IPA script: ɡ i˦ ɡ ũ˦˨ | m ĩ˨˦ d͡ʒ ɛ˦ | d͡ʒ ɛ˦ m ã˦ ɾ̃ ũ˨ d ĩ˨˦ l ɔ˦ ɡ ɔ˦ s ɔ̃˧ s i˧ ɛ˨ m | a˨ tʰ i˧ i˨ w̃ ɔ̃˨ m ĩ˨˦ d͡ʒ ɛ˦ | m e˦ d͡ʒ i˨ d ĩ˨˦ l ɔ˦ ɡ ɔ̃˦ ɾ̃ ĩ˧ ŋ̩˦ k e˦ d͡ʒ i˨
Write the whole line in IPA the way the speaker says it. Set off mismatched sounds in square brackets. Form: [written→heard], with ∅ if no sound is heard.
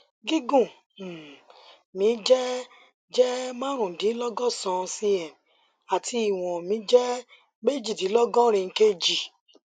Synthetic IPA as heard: ɡ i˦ ɡ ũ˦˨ | m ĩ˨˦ d͡ʒ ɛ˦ | d͡ʒ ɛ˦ m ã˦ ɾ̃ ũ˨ d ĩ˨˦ l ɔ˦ ɡ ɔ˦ s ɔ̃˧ s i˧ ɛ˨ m | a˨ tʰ i˧ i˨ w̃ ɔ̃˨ m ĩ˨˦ d͡ʒ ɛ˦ | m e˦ d͡ʒ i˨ d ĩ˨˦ l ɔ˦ ɡ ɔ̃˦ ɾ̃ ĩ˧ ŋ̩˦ k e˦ d͡ʒ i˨